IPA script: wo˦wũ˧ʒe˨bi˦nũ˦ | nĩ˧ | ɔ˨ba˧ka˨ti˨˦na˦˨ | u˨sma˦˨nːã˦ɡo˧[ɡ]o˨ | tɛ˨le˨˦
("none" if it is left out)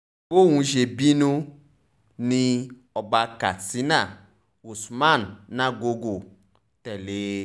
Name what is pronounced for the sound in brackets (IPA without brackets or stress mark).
ɡ